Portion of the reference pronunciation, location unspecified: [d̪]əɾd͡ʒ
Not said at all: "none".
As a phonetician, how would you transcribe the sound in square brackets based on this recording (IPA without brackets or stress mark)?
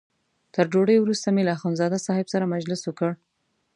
t̪